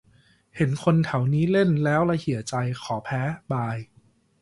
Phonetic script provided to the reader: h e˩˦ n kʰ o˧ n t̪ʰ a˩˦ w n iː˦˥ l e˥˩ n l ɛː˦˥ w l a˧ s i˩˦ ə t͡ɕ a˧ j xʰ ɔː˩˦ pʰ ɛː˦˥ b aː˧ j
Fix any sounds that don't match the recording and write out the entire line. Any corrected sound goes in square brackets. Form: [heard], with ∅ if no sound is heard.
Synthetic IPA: h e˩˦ n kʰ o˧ n t̪ʰ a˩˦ w n iː˦˥ l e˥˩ n l ɛː˦˥ w l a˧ [h] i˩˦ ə t͡ɕ a˧ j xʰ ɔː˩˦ pʰ ɛː˦˥ b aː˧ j